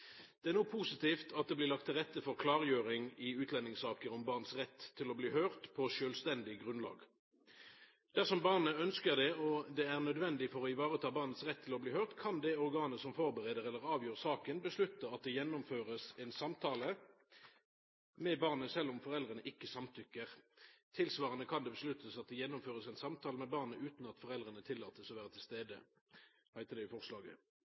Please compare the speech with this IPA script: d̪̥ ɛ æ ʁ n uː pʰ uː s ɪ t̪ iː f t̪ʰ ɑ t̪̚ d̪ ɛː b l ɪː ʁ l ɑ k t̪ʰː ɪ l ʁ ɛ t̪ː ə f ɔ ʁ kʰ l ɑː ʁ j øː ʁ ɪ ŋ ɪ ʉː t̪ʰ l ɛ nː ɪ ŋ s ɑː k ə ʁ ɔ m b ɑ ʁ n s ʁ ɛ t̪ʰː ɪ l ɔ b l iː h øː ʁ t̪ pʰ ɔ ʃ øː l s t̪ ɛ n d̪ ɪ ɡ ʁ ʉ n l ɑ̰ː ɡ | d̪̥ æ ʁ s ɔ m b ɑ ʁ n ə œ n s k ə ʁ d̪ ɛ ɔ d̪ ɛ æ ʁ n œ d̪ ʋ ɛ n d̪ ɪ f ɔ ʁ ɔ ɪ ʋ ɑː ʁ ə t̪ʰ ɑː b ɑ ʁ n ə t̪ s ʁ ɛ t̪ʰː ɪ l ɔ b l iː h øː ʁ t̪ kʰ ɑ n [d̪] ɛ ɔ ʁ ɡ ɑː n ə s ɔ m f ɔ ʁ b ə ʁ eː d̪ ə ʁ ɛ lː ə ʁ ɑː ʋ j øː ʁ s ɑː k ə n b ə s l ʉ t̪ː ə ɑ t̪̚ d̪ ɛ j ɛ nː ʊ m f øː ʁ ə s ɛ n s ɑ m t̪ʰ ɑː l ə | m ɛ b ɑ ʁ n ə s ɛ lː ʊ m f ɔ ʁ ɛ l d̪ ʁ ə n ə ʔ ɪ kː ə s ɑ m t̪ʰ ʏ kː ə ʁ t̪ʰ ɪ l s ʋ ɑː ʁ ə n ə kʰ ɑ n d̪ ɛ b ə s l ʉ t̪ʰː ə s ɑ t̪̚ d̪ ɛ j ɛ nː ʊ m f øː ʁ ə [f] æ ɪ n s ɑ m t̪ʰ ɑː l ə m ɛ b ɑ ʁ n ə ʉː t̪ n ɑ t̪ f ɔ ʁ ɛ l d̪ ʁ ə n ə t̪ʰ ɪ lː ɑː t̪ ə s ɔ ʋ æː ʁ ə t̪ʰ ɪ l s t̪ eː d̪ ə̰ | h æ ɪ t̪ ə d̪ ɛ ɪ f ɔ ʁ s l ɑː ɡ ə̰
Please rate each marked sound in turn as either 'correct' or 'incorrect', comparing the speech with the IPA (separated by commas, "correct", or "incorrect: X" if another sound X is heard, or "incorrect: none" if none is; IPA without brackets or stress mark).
correct, incorrect: s